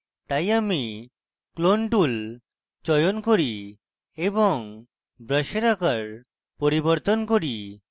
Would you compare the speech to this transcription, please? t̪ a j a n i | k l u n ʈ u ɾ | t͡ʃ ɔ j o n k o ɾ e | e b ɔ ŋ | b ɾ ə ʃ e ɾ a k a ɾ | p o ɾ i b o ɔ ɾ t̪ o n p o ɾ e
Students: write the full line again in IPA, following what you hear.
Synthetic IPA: t̪ a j a m i | k l o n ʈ u l | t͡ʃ ɔ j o n k o ɾ i | e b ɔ ŋ | b ɾ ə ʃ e ɾ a k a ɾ | p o ɾ i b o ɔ ɾ t̪ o n k o ɾ i